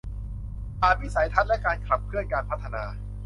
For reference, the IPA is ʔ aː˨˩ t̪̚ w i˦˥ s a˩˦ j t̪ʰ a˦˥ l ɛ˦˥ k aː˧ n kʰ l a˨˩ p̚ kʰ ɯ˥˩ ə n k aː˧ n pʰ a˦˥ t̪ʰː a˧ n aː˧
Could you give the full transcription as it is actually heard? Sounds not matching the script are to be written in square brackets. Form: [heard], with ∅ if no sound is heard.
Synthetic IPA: ʔ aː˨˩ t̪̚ w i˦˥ s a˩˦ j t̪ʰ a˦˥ l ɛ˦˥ k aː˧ n kʰ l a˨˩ p̚ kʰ ɯ˥˩ ə n k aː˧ n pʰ a˦˥ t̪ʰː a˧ n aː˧

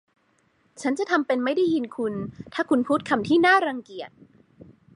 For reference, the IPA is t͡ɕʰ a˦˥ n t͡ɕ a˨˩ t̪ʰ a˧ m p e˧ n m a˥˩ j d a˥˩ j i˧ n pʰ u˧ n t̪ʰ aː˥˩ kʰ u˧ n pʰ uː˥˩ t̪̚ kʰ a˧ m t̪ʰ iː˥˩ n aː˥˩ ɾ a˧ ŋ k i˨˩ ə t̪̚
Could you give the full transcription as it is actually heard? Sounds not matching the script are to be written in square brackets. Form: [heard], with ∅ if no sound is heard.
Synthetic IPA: t͡ɕʰ a˦˥ n t͡ɕ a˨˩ t̪ʰ a˧ m p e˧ n m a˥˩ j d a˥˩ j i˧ n [kʰ] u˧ n t̪ʰ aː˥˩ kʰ u˧ n pʰ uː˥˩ t̪̚ kʰ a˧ m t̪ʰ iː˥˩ n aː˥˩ ɾ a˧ ŋ k i˨˩ ə t̪̚

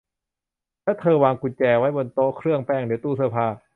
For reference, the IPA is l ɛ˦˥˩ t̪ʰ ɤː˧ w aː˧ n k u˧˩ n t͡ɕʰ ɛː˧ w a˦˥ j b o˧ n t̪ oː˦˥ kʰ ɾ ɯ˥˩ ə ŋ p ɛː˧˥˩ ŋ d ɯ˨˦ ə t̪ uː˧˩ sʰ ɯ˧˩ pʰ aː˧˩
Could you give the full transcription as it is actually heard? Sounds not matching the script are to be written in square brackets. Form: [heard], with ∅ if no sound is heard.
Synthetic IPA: l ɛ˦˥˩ t̪ʰ ɤː˧ w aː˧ [ŋ] k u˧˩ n [t͡ɕ] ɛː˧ w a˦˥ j b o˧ n t̪ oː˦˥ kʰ ɾ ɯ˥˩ ə ŋ p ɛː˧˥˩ ŋ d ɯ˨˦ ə t̪ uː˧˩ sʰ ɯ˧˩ pʰ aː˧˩

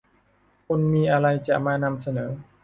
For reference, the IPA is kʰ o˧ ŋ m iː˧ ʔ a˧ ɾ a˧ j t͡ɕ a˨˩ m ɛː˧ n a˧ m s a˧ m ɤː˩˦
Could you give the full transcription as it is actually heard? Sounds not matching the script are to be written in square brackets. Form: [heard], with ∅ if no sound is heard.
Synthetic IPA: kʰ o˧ [n] m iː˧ ʔ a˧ ɾ a˧ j t͡ɕ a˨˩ m [aː˧] n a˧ m s a˧ [n] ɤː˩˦

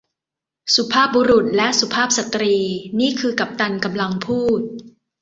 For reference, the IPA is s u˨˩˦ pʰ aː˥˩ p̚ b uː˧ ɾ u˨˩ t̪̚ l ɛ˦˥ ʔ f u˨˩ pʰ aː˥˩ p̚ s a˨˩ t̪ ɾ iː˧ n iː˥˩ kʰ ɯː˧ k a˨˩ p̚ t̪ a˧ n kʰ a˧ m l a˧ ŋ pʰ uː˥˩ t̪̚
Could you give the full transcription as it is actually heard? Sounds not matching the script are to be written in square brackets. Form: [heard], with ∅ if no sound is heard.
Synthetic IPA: s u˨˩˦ pʰ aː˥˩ p̚ b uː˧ ɾ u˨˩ t̪̚ l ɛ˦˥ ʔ [s] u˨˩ pʰ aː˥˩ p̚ s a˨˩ t̪ ɾ iː˧ n iː˥˩ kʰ ɯː˧ k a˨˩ p̚ t̪ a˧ n [k] a˧ m l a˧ ŋ pʰ uː˥˩ t̪̚

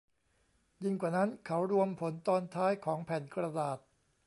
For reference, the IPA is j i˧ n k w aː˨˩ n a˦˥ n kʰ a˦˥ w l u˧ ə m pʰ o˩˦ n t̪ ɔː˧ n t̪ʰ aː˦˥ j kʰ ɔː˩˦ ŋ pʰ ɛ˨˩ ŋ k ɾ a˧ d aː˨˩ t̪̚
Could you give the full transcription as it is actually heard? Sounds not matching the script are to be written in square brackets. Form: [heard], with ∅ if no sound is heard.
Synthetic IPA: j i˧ [ŋ] k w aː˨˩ n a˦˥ n kʰ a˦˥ w [ɾ] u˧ ə m pʰ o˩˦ n t̪ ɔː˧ n t̪ʰ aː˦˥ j kʰ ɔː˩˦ ŋ pʰ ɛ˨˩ [n] k ɾ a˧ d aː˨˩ t̪̚

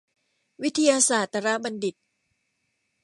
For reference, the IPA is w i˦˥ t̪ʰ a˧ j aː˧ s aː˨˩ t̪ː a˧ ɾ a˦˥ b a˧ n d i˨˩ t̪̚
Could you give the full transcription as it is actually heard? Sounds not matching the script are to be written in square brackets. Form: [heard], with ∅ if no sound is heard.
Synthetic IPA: w i˦˥ t̪ʰ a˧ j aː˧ s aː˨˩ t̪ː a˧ ɾ a˦˥ b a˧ n d i˨˩ t̪̚

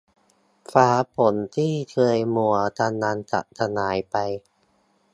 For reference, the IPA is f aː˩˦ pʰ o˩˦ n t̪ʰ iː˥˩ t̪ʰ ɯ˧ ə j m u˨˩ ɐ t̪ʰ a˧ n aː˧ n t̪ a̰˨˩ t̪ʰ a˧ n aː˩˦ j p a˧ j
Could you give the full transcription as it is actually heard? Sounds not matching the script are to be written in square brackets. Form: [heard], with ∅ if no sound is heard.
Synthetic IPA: f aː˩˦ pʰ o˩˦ n t̪ʰ iː˥˩ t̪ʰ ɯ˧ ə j m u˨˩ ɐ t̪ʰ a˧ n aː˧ n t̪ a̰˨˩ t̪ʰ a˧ n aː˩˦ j p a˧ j

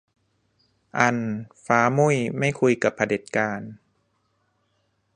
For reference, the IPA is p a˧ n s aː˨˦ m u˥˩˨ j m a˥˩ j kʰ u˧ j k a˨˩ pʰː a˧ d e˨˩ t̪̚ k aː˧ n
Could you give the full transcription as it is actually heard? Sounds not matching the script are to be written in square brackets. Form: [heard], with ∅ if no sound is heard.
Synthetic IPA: [ʔ] a˧ n [f] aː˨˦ m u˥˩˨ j m a˥˩ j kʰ u˧ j k a˨˩ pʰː a˧ d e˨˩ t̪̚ k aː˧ n

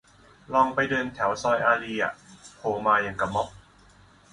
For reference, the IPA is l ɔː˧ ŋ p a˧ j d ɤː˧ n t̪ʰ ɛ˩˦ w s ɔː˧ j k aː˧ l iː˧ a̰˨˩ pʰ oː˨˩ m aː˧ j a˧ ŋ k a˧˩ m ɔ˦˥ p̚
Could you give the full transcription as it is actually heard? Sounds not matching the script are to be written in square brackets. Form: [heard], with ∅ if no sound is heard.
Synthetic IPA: l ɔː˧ ŋ p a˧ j d ɤː˧ n t̪ʰ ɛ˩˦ w s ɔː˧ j [ʔ] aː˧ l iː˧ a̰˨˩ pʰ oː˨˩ m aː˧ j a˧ ŋ k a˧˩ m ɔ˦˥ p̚

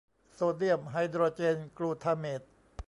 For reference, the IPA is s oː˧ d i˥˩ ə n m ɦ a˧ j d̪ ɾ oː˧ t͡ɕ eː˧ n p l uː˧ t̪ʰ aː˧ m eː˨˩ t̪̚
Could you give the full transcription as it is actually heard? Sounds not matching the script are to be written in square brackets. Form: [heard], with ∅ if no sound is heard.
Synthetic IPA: s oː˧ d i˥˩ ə [∅] m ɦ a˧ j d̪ ɾ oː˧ t͡ɕ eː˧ n [k] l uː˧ t̪ʰ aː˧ m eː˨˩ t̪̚

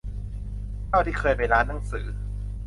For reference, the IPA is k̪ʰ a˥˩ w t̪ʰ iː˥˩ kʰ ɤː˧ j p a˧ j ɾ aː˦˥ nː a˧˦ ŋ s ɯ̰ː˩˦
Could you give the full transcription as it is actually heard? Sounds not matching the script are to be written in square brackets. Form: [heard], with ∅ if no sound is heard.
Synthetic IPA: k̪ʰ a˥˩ w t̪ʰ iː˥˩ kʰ ɤː˧ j p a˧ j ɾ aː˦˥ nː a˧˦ ŋ s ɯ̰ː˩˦

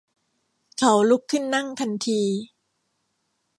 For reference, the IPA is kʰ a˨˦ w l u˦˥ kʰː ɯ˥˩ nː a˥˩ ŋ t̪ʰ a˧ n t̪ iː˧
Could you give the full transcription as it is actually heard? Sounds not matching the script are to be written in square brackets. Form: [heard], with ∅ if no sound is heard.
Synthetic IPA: kʰ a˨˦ w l u˦˥ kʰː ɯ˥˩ nː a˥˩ ŋ t̪ʰ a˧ n [t̪ʰ] iː˧

